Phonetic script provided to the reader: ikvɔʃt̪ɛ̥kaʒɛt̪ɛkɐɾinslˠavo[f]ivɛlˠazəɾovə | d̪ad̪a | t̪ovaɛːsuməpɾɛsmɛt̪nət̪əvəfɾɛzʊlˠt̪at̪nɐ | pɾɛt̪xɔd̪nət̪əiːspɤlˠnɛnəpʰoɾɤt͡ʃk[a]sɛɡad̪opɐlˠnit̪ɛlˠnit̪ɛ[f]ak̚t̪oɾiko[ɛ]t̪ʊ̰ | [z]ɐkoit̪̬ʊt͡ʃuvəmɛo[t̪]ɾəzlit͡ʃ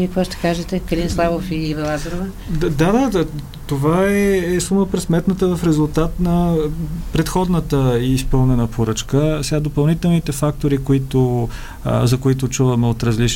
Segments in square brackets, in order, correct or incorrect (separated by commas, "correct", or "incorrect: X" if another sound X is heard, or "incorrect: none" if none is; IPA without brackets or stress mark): correct, incorrect: ə, correct, incorrect: i, correct, correct